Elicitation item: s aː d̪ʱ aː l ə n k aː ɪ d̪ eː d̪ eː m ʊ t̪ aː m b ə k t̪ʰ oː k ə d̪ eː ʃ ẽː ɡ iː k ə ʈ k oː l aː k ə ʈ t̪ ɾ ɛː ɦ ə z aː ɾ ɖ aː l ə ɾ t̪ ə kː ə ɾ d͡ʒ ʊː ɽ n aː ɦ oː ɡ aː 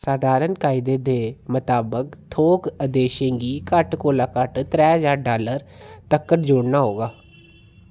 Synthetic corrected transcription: s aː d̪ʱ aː ɾ ə n k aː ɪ d̪ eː d̪ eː m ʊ t̪ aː b ə k t̪ʰ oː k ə d̪ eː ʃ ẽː ɡ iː k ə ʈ k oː l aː k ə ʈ t̪ ɾ ɛː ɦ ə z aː ɾ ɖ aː l ə ɾ t̪ ə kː ə ɾ d͡ʒ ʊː ɽ n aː ɦ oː ɡ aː